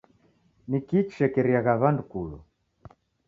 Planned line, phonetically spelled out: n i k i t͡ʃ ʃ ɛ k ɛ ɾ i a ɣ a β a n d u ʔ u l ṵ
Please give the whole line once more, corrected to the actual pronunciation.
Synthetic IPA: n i k i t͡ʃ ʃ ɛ k ɛ ɾ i a ɣ a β a n d u k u l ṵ